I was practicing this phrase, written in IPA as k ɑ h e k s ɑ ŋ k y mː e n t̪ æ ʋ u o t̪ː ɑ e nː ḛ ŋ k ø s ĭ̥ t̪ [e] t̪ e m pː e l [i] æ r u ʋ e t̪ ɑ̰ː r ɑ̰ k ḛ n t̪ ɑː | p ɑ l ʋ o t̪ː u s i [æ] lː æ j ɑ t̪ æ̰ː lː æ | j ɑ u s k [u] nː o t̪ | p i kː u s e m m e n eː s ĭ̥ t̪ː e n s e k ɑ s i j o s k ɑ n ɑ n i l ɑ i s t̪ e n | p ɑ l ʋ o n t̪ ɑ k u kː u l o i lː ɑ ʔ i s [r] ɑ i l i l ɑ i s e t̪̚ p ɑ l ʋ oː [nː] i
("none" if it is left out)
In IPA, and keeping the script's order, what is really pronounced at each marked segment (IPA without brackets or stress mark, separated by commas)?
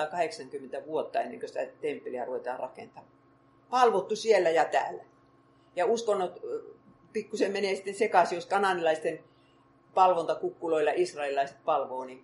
æ, i, e, o, r, n